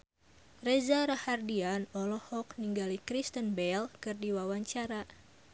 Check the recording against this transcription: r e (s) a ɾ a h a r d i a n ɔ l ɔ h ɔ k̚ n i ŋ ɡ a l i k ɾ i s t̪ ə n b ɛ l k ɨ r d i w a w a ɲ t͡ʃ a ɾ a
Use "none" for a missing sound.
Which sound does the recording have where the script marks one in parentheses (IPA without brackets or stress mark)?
z